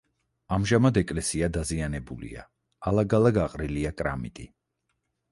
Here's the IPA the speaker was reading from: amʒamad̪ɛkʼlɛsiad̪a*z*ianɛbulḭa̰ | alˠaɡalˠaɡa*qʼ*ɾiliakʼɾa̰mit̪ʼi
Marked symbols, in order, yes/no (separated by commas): yes, yes